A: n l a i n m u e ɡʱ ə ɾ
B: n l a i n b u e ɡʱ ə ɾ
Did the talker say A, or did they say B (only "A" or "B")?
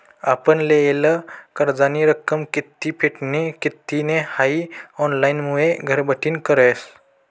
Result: A